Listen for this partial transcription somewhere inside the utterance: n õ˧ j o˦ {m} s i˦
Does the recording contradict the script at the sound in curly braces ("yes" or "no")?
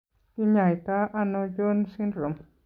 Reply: yes